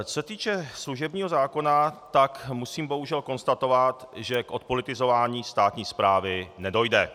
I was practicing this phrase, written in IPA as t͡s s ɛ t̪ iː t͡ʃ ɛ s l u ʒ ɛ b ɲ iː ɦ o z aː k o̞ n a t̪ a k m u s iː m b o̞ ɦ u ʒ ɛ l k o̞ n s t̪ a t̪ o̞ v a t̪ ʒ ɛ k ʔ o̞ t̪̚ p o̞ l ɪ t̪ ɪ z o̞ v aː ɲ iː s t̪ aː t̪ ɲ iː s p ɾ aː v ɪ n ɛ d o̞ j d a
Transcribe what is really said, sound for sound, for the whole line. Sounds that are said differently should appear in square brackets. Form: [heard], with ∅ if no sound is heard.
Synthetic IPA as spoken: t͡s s ɛ t̪ iː t͡ʃ ɛ s l u ʒ ɛ b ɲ iː ɦ o z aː k o̞ n a t̪ a k m u s iː m b o̞ ɦ u ʒ ɛ l k o̞ n s t̪ a t̪ o̞ v a t̪ ʒ ɛ k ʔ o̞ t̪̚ p o̞ l ɪ t̪ ɪ z o̞ v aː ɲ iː s t̪ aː t̪ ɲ iː s p ɾ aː v ɪ n ɛ d o̞ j d [ɛ]